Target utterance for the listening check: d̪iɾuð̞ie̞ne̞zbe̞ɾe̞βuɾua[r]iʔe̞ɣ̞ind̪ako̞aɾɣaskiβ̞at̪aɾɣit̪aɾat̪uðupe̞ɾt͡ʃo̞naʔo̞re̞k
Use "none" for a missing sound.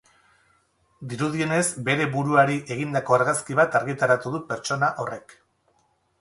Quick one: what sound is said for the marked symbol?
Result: ɾ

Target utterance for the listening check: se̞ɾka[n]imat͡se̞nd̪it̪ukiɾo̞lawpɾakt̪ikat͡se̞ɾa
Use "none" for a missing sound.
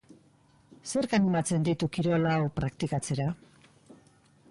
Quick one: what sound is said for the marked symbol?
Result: n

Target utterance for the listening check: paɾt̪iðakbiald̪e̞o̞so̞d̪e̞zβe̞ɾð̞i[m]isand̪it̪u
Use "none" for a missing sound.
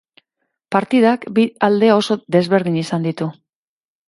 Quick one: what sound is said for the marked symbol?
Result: ɲ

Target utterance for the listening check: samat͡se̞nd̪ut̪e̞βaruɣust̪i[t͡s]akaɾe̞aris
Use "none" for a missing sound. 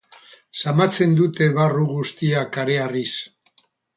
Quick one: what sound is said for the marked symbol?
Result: none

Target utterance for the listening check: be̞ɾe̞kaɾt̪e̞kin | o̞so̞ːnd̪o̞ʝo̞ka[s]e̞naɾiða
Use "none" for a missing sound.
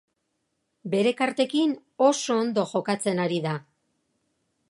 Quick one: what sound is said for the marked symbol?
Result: t͡s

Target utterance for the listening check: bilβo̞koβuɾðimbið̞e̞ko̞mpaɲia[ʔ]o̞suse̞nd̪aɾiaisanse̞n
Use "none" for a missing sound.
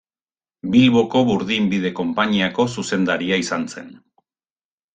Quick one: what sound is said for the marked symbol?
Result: k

